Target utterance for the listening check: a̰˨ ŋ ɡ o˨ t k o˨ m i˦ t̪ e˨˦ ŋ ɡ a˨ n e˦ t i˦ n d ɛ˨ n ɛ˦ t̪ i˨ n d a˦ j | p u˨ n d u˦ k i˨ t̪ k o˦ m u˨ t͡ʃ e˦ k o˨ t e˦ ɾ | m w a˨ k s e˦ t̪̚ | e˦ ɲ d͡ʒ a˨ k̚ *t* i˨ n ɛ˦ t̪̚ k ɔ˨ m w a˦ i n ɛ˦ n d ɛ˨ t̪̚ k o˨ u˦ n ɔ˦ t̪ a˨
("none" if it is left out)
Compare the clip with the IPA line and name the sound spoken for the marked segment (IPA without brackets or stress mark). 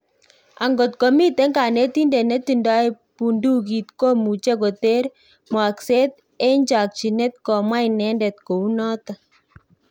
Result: t͡ʃ